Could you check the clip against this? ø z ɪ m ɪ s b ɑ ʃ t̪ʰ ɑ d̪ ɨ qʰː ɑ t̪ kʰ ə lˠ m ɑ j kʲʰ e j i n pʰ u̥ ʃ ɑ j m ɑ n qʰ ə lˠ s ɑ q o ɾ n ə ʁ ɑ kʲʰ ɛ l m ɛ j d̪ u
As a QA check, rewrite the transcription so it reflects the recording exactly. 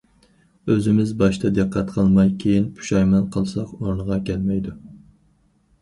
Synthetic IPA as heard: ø z ɪ m ɪ z b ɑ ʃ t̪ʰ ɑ d̪ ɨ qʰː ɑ t̪ qʰ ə lˠ m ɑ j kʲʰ e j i n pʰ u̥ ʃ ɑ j m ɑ n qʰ ə lˠ s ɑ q o ɾ n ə ʁ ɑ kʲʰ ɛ l m ɛ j d̪ u

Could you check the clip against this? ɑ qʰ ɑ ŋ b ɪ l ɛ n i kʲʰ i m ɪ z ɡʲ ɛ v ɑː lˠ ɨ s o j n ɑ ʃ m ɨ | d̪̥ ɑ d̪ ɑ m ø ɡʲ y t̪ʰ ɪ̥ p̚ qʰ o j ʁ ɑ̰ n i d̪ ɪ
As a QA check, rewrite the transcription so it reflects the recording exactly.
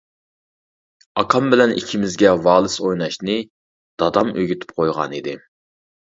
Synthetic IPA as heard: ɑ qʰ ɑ m b ɪ l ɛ n i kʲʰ i m ɪ z ɡʲ ɛ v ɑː lˠ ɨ s o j n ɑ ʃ n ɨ | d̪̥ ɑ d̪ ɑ m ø ɡʲ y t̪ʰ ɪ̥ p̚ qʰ o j ʁ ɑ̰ n i d̪ ɪ

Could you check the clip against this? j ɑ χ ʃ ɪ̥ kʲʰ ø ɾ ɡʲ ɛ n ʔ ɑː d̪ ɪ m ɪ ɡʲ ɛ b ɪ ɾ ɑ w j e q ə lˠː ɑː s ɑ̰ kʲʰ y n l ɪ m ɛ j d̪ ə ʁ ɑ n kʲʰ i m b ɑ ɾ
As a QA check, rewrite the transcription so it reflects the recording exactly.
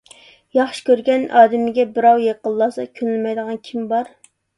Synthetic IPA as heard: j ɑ χ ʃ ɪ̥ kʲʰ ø ɾ ɡʲ ɛ n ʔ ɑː d̪ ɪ m ɪ ɡʲ ɛ b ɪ ɾ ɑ w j e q ə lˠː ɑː s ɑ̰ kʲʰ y n l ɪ m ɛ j d̪ ə ʁ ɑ n kʲʰ i m b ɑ ɾ

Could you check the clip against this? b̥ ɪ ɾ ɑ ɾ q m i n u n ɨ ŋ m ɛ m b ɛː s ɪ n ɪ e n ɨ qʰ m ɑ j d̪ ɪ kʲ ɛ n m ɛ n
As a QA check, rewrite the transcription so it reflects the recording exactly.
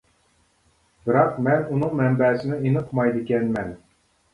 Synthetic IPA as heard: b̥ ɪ ɾ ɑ q m ɛ n u n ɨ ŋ m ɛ m b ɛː s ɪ n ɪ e n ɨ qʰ m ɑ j d̪ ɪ kʲ ɛ n m ɛ n

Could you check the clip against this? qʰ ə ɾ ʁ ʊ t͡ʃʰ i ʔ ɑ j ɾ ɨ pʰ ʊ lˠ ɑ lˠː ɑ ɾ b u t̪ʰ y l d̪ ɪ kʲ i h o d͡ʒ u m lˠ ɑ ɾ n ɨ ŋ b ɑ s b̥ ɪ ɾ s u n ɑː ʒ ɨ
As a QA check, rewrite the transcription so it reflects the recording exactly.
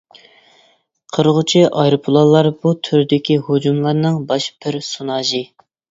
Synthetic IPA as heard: qʰ ə ɾ ʁ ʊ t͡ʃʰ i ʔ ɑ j ɾ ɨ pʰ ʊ lˠ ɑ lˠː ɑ ɾ b u t̪ʰ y ɾ d̪ ɪ kʲ i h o d͡ʒ u m lˠ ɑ ɾ n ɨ ŋ b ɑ ʃ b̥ ɪ ɾ s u n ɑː ʒ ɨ

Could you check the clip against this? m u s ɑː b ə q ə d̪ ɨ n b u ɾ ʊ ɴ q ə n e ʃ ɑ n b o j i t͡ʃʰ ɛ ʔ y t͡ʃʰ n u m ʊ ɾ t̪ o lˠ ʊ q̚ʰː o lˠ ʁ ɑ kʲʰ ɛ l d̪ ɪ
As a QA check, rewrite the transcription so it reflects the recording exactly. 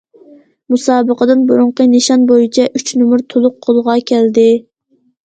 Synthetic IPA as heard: m u s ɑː b ə q ə d̪ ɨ n b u ɾ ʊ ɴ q ə n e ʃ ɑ n b o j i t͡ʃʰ ɛ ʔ y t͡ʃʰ n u m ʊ ɾ t̪ʰ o lˠ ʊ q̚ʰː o lˠ ʁ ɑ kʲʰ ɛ l d̪ ɪ

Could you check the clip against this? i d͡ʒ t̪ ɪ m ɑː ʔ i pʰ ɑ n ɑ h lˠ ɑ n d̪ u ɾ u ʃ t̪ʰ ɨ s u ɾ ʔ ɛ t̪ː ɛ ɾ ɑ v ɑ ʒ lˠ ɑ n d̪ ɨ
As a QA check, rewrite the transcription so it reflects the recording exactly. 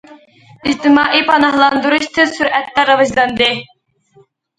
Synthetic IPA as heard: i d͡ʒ t̪ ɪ m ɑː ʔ i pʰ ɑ n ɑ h lˠ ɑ n d̪ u ɾ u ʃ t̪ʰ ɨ s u ɾ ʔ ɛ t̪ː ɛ ɾ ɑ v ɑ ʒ lˠ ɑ n d̪ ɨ

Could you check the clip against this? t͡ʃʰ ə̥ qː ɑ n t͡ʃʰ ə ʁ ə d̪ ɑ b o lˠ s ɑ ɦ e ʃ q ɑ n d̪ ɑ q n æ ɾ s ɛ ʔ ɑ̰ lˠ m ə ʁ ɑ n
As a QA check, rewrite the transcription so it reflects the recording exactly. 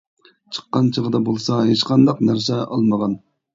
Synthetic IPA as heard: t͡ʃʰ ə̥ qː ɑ n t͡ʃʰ ə ʁ ə d̪ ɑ b o lˠ s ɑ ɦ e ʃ q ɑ n d̪ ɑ q n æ ɾ s ɛ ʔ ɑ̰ lˠ m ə ʁ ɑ n

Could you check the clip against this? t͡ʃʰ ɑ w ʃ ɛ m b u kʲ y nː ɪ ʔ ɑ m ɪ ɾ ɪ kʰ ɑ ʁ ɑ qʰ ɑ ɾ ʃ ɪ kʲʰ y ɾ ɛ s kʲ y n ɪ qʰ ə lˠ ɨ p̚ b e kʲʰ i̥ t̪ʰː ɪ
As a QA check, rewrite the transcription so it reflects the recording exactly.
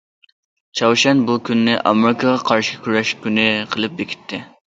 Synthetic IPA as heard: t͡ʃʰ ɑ w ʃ ɛ n b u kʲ y nː ɪ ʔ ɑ m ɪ ɾ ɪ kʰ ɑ ʁ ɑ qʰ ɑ ɾ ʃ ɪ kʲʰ y ɾ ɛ ʃ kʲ y n ɪ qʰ ə lˠ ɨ p̚ b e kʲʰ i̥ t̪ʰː ɪ

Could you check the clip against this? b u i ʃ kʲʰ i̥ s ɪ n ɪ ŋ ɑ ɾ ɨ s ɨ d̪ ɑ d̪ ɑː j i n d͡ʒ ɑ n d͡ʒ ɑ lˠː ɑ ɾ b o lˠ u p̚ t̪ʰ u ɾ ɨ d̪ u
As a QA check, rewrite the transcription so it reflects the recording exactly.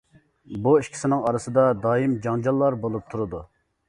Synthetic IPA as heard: b u i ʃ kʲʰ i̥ s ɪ n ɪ ŋ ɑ ɾ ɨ s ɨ d̪ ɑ d̪ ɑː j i m d͡ʒ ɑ ŋ d͡ʒ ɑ lˠː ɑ ɾ b o lˠ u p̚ t̪ʰ u ɾ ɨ d̪ u

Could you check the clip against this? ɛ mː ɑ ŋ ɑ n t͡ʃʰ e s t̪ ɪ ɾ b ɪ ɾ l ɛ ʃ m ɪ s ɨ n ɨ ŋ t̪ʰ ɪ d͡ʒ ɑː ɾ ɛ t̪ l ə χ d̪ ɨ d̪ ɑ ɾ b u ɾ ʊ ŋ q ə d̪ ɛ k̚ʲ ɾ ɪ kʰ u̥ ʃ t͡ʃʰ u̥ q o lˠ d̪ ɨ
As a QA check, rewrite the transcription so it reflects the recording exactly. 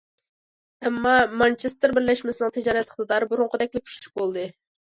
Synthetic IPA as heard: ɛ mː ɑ m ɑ n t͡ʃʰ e s t̪ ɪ ɾ b ɪ ɾ l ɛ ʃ m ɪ s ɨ n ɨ ŋ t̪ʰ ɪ d͡ʒ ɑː ɾ ɛ t̪ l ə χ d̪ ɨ d̪ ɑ ɾ b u ɾ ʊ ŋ q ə d̪ ɛ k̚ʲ l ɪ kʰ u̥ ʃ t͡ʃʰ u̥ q o lˠ d̪ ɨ

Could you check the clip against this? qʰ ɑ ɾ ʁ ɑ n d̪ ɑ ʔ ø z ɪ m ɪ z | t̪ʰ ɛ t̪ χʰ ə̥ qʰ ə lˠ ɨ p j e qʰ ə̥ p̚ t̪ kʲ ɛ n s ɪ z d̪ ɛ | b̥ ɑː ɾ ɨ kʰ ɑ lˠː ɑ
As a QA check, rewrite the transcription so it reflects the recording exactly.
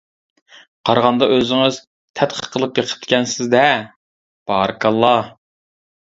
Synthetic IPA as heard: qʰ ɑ ɾ ʁ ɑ n d̪ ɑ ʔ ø z ɪ ŋ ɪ z | t̪ʰ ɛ t̪ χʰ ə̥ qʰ ə lˠ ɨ p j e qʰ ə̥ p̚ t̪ kʲ ɛ n s ɪ z d̪ ɛ | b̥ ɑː ɾ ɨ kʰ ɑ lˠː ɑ

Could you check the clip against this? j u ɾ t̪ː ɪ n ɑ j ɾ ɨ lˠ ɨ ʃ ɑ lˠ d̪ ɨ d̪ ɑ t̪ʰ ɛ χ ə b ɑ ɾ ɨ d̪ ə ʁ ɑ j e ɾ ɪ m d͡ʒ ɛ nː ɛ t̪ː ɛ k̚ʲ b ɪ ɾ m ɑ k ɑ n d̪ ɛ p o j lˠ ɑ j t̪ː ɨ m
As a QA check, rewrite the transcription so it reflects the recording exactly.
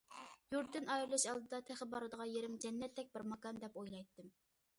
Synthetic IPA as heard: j u ɾ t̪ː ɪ n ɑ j ɾ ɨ lˠ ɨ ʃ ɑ lˠ d̪ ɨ d̪ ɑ t̪ʰ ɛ χ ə b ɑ ɾ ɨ d̪ ə ʁ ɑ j e ɾ ɪ m d͡ʒ ɛ nː ɛ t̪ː ɛ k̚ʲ b ɪ ɾ m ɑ k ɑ n d̪ ɛ p o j lˠ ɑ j t̪ː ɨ m

